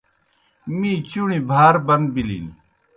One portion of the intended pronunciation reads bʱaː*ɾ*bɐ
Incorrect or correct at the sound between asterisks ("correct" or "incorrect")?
correct